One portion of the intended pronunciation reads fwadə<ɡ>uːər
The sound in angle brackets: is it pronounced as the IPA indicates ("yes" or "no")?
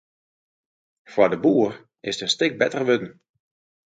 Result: no